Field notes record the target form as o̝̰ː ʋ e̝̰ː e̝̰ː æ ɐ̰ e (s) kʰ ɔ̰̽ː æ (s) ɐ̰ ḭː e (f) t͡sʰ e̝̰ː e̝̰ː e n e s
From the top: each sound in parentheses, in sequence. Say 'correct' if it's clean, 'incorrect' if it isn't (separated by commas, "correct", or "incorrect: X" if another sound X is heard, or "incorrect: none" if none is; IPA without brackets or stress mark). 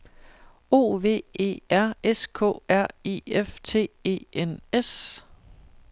correct, incorrect: none, correct